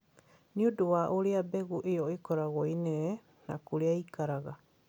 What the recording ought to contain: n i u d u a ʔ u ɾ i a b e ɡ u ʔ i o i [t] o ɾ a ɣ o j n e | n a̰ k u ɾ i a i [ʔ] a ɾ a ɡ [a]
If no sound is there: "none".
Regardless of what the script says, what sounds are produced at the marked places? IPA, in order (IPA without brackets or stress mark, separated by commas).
k, k, a